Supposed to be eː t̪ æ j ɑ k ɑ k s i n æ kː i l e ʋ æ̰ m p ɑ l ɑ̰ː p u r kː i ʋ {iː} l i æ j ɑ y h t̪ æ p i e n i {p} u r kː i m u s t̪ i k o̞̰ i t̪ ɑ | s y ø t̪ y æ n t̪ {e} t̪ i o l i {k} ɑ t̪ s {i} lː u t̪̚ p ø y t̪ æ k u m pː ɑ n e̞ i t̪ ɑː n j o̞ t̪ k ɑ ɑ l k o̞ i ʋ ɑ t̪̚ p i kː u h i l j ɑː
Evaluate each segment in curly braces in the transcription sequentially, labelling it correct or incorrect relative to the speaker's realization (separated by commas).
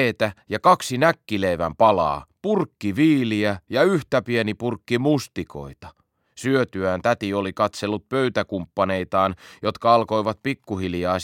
correct, correct, incorrect, correct, incorrect